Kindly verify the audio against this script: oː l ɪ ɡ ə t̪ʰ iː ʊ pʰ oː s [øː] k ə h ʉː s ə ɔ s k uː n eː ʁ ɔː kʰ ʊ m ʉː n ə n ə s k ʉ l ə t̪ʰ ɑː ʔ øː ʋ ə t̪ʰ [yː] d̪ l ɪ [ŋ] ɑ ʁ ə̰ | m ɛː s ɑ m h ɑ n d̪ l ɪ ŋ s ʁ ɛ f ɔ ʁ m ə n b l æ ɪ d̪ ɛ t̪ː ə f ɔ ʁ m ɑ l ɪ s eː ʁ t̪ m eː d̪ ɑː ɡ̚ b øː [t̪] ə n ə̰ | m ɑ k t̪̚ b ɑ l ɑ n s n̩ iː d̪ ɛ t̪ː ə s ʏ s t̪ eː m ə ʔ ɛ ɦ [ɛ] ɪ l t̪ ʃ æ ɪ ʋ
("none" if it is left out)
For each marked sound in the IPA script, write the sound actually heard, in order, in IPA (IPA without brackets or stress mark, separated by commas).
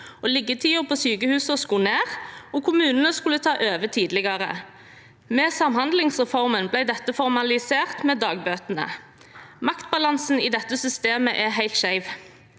yː, iː, ɡ, t̪, æ